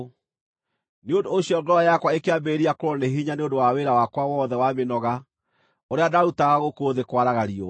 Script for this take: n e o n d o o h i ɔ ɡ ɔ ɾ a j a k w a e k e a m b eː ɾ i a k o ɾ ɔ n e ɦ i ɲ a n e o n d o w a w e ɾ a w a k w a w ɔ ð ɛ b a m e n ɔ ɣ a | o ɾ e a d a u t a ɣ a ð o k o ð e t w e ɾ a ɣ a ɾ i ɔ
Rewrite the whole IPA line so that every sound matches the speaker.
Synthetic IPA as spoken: n e o n d o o ɕ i ɔ ɡ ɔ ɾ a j a k w a e k e a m b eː ɾ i a k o ɾ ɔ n e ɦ i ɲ a n e o n d o w a w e ɾ a w a k w a w ɔ ð ɛ w a m e n ɔ ɣ a | o ɾ e a d a u t a ɣ a ɣ o k o ð e k w a ɾ a ɣ a ɾ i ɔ